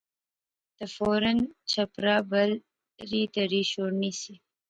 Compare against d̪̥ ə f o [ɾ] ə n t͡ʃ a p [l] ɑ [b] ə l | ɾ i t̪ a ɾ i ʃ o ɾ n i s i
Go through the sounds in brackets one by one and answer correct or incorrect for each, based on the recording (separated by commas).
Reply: correct, incorrect, correct